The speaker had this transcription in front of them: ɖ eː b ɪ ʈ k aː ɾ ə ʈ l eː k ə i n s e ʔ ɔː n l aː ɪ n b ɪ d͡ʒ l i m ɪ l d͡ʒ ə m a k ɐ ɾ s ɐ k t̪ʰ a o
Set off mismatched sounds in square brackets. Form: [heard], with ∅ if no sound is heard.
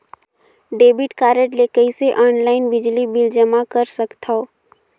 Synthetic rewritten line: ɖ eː b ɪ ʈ k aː ɾ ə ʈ l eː k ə i [∅] s e ʔ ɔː n l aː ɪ n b ɪ d͡ʒ l i [b] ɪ l d͡ʒ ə m a k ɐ ɾ s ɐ k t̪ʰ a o